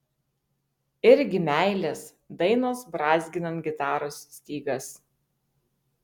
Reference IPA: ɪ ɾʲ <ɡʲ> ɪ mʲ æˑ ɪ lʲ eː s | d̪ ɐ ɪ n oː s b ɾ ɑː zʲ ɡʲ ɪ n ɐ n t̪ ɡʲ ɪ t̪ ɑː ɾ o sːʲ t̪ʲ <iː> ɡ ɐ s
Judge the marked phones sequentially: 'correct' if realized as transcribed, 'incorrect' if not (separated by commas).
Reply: correct, correct